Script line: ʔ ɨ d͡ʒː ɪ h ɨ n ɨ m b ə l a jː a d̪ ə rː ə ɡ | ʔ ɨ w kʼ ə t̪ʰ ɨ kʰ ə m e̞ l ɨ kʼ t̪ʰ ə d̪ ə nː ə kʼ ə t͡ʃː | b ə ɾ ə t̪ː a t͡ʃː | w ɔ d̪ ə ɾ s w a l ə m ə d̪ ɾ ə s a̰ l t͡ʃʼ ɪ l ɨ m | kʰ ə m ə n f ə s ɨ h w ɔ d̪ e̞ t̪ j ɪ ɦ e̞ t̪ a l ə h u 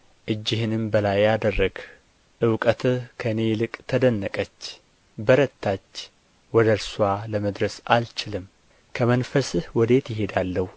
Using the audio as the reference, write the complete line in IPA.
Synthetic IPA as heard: ʔ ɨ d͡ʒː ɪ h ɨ n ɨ m b ə l a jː a d̪ ə rː ə ɡ | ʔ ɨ w kʼ ə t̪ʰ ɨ kʰ ə n e̞ l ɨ kʼ t̪ʰ ə d̪ ə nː ə kʼ ə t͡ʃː | b ə ɾ ə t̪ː a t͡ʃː | w ɔ d̪ ə ɾ s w a l ə m ə d̪ ɾ ə s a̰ l t͡ʃ ɪ l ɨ m | kʰ ə m ə n f ə s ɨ h w ɔ d̪ e̞ t̪ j ɪ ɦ e̞ d̪ a lː ə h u